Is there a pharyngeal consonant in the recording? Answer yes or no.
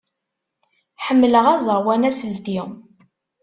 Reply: yes